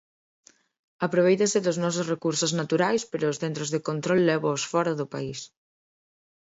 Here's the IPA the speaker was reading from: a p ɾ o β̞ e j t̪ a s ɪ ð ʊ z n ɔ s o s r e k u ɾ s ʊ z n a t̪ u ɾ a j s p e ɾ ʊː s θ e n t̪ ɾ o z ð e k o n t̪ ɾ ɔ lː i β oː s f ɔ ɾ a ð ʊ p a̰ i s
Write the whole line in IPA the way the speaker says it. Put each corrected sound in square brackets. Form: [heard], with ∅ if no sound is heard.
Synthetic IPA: a p ɾ o β̞ e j t̪ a s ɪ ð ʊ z n ɔ s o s r e k u ɾ s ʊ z n a t̪ u ɾ a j s p e ɾ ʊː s θ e n t̪ ɾ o z ð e k o n t̪ ɾ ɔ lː [ɛ] β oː s f ɔ ɾ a ð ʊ p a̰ i s